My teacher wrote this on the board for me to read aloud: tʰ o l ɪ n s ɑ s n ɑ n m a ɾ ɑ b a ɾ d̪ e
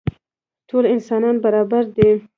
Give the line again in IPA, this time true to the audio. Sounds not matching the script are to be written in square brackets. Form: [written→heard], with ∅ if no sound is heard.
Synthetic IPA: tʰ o l ɪ n s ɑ [s→∅] n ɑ n [m→b] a ɾ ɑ b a ɾ d̪ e